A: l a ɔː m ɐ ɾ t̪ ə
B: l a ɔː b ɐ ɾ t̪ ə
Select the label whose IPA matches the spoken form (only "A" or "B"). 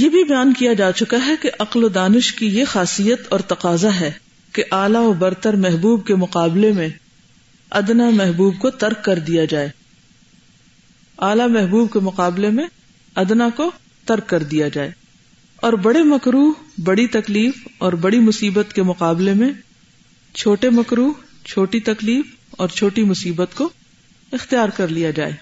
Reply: B